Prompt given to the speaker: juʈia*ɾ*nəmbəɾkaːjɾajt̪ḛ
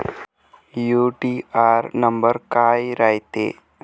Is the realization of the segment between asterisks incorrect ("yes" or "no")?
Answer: no